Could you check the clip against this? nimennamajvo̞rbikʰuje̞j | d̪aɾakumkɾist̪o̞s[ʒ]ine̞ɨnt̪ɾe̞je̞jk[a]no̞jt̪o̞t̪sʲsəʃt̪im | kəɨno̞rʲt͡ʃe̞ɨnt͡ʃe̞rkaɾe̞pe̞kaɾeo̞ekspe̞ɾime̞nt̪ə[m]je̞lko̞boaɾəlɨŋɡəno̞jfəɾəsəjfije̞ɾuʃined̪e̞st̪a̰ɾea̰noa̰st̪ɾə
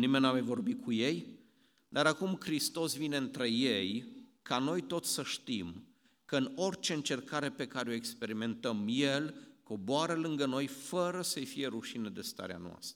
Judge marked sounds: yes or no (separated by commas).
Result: no, yes, yes